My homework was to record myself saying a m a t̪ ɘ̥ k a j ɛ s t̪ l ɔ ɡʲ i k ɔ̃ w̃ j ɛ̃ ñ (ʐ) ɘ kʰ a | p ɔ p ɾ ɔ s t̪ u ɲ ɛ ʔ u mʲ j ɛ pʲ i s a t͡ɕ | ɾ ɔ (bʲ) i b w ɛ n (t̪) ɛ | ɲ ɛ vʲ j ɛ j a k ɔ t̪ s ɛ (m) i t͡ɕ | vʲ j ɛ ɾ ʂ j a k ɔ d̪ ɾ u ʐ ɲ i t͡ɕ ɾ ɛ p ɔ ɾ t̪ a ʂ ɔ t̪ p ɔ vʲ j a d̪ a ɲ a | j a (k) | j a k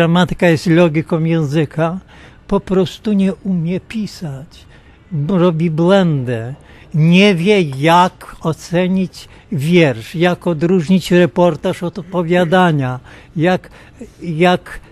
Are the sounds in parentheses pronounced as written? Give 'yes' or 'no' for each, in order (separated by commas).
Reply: no, yes, no, no, yes